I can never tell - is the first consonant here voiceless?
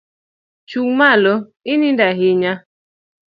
yes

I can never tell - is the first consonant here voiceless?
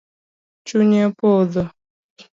yes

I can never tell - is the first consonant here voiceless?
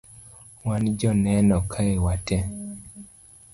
no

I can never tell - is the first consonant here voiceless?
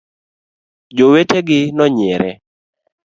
no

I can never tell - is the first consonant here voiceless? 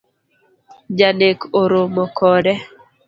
no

